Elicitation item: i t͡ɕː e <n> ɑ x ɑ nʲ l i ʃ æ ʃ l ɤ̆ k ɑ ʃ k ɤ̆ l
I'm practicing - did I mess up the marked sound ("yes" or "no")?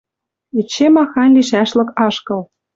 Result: yes